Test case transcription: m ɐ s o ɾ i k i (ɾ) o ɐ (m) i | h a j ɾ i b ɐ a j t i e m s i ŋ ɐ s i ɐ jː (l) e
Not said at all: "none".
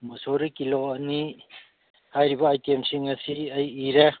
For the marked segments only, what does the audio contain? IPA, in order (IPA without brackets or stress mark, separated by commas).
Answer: l, n, ɾ